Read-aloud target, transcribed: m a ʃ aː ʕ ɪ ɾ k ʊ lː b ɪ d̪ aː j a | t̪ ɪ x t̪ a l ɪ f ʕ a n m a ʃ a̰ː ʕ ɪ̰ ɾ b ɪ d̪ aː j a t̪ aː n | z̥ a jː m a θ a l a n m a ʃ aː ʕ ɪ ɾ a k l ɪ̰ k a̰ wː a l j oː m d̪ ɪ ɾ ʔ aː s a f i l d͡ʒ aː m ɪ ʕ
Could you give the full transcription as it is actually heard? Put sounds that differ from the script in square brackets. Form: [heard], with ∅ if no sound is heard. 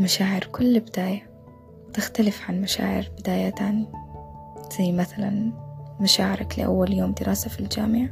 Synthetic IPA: m a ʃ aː ʕ ɪ ɾ k ʊ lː b ɪ d̪ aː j a | t̪ ɪ x t̪ a l ɪ f ʕ a n m a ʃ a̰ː ʕ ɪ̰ ɾ b ɪ d̪ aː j a t̪ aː n | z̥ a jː m a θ a l a n m a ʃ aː ʕ ɪ ɾ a k l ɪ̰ [ʔ] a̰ wː a l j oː m d̪ ɪ ɾ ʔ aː s a f i l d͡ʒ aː m ɪ ʕ